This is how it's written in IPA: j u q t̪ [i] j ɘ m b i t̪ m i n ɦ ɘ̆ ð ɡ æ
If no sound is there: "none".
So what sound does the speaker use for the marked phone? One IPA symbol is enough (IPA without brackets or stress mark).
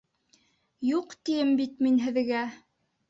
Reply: i